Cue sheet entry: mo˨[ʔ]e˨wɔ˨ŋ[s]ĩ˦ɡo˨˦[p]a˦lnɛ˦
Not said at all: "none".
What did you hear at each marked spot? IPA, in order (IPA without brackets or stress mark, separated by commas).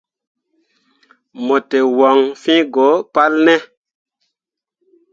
t, f, p